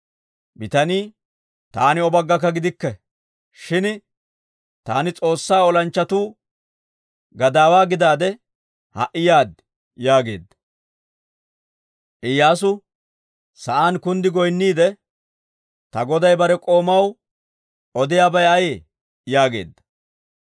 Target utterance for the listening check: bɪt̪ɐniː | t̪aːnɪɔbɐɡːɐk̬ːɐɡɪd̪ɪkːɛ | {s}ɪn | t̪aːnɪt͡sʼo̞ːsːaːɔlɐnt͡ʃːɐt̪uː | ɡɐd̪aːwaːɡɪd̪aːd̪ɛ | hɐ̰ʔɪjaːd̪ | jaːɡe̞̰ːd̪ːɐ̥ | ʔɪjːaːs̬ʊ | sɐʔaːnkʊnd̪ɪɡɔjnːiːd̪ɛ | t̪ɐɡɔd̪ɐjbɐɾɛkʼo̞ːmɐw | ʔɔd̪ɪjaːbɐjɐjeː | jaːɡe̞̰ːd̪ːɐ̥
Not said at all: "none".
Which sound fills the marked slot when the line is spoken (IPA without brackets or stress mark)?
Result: ʃ